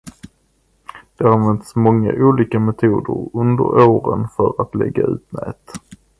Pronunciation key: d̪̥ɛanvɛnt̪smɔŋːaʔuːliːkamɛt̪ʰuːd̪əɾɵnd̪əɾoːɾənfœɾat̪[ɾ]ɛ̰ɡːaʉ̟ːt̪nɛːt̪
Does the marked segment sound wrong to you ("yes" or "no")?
yes